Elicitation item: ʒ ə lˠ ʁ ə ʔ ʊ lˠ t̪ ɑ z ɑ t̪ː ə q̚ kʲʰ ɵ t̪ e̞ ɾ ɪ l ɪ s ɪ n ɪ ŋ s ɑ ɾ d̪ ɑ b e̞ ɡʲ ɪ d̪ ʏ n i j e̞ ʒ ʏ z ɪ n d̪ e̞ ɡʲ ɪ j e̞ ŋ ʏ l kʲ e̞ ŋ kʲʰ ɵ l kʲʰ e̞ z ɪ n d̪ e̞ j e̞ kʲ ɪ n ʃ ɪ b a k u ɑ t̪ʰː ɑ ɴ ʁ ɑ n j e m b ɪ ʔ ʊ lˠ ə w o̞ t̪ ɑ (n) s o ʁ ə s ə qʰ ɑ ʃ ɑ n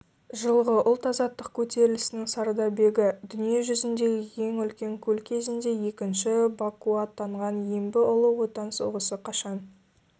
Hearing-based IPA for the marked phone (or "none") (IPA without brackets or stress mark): n